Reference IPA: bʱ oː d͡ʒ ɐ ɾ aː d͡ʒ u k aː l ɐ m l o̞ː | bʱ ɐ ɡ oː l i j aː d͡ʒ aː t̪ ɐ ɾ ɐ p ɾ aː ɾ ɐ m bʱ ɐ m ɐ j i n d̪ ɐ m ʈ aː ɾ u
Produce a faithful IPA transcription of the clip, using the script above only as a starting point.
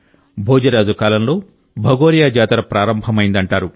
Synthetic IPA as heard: bʱ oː d͡ʒ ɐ ɾ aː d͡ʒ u k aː l ɐ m l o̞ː | bʱ ɐ ɡ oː ɾ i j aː d͡ʒ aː t̪ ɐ ɾ ɐ p ɾ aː ɾ ɐ m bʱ ɐ m ɐ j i n d̪ ɐ ɳ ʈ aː ɾ u